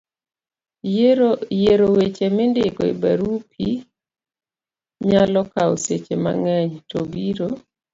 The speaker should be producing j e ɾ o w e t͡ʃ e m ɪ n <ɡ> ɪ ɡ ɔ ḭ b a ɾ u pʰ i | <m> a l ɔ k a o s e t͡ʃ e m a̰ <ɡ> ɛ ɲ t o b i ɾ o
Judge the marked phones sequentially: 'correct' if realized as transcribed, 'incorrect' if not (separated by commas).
incorrect, incorrect, incorrect